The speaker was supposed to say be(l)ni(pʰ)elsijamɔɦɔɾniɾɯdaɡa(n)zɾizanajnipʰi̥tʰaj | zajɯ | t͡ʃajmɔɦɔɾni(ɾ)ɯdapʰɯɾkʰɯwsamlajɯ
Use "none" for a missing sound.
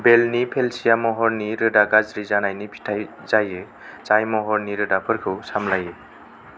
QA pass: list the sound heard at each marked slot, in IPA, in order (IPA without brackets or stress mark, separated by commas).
l, pʰ, none, ɾ